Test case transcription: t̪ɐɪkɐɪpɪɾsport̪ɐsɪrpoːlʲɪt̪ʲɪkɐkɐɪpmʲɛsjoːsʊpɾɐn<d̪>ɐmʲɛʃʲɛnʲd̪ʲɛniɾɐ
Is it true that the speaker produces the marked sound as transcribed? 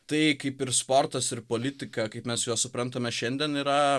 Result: no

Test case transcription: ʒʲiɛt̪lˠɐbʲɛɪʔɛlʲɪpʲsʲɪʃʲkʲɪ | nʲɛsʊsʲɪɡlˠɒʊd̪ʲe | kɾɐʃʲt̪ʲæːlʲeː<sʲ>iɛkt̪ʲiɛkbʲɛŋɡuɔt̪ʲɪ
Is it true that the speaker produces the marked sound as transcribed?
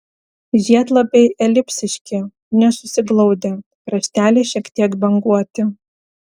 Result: no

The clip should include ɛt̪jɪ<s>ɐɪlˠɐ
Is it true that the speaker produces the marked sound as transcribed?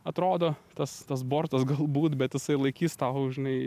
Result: yes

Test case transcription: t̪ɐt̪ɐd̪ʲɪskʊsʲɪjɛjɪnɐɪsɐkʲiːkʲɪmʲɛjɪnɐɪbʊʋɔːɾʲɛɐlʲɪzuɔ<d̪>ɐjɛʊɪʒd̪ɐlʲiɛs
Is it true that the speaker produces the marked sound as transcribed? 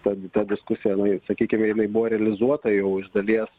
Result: no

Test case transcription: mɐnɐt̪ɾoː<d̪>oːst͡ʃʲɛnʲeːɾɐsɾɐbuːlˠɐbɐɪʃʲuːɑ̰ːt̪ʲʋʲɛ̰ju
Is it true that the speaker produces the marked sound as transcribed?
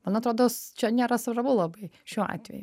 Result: yes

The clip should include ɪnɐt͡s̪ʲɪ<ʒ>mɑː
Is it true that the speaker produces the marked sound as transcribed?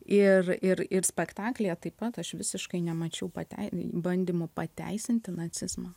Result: no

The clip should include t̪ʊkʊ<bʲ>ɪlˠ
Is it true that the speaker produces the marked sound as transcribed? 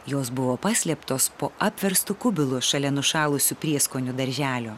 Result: yes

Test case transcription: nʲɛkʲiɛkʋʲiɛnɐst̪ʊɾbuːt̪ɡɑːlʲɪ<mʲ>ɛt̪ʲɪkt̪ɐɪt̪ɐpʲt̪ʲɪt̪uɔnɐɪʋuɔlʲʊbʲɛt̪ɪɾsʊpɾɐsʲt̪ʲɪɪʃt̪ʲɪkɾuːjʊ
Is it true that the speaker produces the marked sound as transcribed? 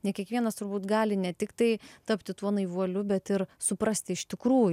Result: no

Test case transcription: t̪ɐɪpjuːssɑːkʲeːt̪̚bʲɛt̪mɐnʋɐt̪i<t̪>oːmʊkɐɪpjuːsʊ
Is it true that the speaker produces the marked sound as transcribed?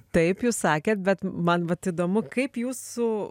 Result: no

